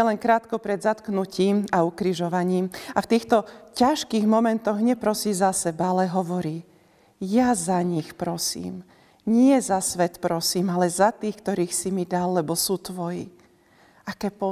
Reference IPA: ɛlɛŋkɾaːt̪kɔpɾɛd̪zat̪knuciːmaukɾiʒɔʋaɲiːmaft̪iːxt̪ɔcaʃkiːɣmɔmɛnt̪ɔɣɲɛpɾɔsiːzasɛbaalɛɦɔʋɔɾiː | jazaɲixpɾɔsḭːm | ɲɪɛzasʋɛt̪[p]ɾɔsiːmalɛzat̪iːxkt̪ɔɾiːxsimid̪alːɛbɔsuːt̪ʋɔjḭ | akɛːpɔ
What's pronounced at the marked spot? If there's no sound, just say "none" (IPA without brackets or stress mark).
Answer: p